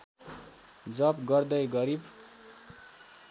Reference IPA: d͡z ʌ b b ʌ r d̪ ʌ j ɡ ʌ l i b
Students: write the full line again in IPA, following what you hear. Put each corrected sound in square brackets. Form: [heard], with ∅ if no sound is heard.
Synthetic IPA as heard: d͡z ʌ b [ɡ] ʌ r d̪ ʌ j ɡ ʌ [ɾ] i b